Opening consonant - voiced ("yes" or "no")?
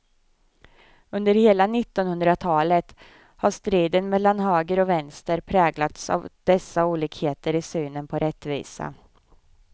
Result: yes